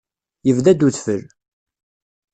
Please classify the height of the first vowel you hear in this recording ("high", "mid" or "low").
mid